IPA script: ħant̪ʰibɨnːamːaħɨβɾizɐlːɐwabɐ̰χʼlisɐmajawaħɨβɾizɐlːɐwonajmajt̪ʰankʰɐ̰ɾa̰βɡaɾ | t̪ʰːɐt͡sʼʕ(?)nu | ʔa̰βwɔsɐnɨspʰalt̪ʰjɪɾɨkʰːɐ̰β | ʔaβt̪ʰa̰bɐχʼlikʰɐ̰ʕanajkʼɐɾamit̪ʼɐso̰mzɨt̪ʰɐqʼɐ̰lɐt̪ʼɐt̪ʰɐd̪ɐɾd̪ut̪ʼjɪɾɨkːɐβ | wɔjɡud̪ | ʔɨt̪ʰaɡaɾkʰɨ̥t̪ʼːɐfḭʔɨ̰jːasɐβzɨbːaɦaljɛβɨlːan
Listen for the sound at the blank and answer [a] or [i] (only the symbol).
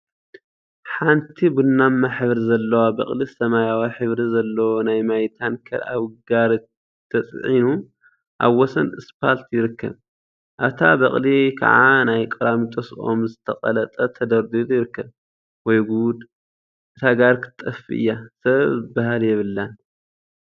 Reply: i